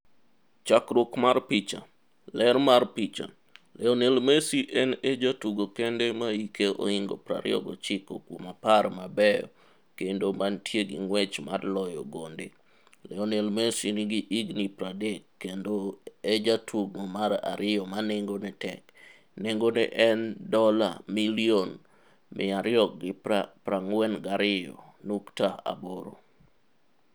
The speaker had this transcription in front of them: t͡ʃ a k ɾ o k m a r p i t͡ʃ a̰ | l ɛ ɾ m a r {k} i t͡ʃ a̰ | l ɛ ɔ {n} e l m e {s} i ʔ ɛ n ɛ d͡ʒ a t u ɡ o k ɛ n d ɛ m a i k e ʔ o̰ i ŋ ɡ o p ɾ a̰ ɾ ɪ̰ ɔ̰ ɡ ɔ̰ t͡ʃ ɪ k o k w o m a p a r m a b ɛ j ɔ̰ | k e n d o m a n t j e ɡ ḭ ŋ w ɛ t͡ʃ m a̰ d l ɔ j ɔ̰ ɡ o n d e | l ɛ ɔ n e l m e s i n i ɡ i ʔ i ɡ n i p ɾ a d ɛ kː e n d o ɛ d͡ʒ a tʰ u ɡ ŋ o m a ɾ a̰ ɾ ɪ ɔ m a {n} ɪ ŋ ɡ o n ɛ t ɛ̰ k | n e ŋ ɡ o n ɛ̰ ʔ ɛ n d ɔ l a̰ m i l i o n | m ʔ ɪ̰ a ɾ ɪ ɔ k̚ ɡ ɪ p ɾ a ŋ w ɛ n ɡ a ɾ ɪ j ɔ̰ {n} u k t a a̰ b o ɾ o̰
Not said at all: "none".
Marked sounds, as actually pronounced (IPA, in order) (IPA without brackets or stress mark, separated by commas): p, n, s, n, n